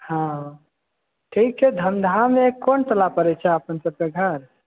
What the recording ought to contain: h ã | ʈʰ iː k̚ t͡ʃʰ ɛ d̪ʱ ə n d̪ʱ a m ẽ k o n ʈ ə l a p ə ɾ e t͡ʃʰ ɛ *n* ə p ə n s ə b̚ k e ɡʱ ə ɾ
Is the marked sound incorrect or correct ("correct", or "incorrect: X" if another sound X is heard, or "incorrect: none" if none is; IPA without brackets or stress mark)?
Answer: incorrect: none